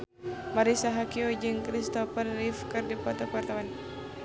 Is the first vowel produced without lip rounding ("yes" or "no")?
yes